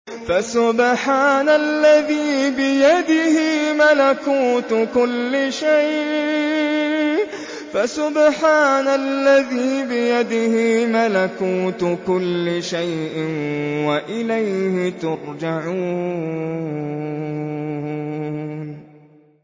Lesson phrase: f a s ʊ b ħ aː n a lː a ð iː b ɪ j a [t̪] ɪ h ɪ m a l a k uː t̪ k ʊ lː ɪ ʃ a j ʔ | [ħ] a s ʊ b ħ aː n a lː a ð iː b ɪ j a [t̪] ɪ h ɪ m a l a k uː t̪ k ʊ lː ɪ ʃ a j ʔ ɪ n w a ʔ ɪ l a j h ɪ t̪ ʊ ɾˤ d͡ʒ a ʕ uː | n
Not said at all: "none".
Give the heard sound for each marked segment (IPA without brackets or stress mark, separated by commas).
d̪, f, d̪